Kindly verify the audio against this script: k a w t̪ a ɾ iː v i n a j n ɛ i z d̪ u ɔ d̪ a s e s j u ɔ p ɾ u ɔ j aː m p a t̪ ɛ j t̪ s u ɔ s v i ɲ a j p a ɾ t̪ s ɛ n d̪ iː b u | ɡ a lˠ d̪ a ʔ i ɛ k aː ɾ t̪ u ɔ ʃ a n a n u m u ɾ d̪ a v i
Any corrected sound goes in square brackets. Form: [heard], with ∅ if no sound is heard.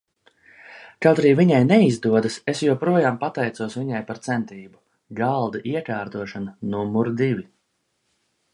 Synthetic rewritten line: k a w t̪ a ɾ iː v i [ɲ] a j n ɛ i z d̪ u ɔ d̪ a s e s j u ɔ p ɾ u ɔ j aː m p a t̪ ɛ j t̪ s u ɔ s v i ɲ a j p a ɾ t̪ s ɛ n [t̪] iː b u | ɡ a lˠ d̪ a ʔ i ɛ k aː ɾ t̪ u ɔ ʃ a n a n u m u ɾ d̪ [i] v i